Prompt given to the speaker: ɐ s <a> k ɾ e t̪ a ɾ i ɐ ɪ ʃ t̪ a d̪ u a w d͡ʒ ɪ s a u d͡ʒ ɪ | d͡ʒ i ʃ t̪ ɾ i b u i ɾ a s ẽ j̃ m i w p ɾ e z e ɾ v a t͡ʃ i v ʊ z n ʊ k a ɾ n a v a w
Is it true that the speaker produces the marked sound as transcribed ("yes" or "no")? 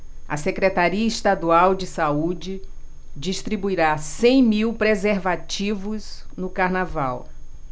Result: no